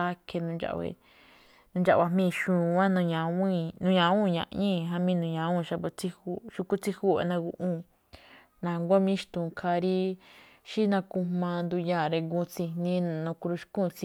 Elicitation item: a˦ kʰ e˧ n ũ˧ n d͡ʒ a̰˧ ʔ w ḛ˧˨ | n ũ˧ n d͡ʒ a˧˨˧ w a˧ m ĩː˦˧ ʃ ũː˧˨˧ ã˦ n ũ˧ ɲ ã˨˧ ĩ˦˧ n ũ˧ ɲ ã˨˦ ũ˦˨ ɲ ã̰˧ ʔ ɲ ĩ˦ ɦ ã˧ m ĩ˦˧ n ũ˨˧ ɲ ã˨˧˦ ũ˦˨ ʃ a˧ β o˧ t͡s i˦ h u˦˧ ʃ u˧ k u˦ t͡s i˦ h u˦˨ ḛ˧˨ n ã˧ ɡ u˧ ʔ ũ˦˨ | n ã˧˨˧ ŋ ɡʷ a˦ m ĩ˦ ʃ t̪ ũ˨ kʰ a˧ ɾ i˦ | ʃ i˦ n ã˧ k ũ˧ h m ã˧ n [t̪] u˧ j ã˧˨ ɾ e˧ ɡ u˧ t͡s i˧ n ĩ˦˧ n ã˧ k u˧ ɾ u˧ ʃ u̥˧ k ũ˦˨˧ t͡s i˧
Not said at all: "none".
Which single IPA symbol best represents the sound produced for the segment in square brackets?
d̪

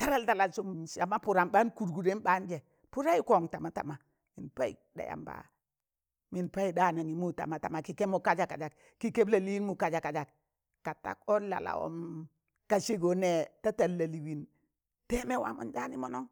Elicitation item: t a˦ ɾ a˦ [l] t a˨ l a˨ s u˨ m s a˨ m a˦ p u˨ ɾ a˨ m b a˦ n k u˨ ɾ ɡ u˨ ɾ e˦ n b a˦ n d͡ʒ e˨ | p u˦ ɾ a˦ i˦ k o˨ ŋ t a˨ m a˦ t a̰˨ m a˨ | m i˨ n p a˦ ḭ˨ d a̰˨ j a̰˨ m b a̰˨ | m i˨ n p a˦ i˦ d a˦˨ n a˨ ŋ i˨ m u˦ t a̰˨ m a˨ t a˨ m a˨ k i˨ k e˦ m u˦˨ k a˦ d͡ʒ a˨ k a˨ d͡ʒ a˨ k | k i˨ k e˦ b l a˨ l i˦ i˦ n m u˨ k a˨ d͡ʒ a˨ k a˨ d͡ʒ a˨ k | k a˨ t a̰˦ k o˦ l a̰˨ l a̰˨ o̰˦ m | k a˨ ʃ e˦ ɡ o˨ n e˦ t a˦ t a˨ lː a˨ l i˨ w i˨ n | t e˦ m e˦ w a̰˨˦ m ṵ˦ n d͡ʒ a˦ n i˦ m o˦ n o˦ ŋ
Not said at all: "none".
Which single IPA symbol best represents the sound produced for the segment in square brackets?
l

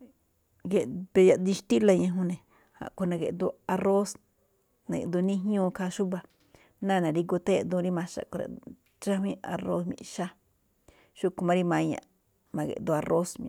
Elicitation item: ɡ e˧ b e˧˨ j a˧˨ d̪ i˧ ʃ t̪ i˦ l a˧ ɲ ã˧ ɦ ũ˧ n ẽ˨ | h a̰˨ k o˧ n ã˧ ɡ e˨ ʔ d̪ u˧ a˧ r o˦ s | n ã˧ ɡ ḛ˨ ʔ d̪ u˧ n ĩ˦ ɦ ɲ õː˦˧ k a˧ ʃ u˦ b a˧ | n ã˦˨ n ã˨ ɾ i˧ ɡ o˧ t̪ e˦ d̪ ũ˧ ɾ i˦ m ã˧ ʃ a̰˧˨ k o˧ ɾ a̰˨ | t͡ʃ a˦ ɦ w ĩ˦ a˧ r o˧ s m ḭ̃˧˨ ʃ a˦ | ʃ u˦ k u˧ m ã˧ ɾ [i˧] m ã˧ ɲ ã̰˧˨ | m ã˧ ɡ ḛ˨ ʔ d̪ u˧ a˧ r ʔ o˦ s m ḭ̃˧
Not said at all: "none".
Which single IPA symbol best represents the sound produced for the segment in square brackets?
i˧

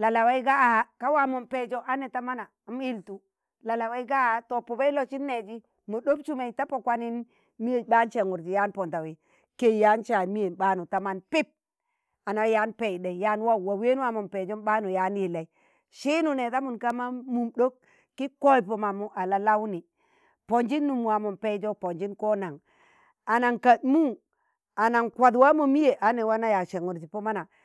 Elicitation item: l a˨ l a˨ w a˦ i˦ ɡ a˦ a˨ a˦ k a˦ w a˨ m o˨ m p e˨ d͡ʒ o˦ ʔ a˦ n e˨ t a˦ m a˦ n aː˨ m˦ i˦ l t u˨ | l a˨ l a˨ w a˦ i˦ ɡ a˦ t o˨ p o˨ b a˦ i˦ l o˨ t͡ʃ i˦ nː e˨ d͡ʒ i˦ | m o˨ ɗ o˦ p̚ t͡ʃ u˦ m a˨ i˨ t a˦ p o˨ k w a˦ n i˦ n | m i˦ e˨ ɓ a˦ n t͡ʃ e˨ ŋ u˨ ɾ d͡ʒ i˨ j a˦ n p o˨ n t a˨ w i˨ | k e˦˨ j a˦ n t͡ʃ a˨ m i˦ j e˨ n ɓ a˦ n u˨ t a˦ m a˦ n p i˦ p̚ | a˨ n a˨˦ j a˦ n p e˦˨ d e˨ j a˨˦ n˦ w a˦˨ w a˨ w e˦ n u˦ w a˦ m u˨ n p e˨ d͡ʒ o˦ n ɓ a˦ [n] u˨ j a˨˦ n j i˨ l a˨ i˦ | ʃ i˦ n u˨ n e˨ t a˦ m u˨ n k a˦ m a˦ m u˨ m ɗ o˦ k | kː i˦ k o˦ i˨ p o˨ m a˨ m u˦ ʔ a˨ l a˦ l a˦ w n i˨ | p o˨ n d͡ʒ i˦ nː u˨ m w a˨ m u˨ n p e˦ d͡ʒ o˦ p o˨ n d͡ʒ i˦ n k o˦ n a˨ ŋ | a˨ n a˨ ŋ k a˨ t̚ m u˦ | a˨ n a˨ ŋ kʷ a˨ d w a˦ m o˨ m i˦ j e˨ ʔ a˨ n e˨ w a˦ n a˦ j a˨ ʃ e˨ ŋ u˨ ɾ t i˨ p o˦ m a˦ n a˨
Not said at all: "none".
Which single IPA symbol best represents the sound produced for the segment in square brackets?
n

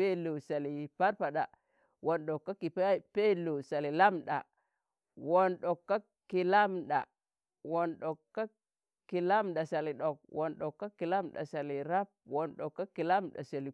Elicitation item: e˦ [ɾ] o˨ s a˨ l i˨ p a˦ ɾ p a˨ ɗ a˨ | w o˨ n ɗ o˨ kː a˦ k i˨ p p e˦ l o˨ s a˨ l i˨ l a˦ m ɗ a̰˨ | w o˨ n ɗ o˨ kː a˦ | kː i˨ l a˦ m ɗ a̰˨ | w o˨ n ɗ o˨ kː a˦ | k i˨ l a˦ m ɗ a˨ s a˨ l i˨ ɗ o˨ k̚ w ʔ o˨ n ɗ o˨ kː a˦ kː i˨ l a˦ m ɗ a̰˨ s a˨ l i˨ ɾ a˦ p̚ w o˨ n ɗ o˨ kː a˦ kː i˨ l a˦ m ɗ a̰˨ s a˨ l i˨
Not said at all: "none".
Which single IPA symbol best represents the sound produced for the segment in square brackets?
l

